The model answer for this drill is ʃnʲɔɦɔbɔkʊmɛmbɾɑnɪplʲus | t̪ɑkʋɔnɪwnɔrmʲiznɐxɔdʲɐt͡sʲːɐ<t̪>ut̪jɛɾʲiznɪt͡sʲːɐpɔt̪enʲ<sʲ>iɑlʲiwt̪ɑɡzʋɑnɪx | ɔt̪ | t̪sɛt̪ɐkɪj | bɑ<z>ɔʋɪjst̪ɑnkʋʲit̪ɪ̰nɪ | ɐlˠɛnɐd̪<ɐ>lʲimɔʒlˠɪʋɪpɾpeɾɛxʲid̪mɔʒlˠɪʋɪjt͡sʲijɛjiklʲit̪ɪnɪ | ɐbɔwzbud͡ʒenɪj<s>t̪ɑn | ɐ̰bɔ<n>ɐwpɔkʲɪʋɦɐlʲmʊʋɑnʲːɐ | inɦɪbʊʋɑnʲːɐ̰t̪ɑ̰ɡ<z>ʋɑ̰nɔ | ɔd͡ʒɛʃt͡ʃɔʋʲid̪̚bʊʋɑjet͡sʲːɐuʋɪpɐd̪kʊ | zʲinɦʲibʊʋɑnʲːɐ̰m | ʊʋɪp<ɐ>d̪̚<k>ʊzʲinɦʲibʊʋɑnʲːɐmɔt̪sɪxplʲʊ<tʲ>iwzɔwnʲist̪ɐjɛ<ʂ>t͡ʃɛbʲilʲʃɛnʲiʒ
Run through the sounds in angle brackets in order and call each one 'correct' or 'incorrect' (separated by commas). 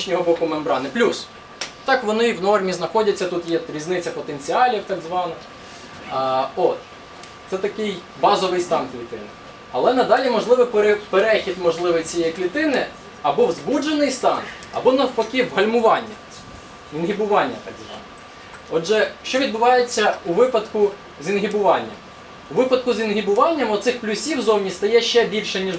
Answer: correct, incorrect, correct, incorrect, correct, correct, correct, correct, correct, incorrect, incorrect